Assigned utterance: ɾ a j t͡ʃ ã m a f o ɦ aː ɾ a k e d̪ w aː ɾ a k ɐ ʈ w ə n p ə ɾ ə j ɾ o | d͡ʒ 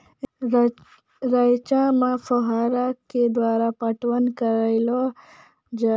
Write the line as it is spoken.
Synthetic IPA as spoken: ɾ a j t͡ʃ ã m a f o ɦ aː ɾ a k e d̪ w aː ɾ a p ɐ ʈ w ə n k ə ɾ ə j l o | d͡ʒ